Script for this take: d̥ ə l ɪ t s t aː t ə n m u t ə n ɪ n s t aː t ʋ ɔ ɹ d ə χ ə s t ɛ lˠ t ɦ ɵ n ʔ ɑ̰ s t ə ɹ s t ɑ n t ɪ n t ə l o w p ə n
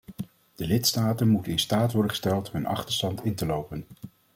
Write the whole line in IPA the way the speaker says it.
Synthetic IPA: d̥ ə l ɪ t s t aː t ə n m u t ə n ɪ n s t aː t ʋ ɔ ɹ d ə χ ə s t ɛ lˠ t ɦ ɵ n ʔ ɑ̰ χ t ə ɹ s t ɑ n t ɪ n t ə l o w p ə n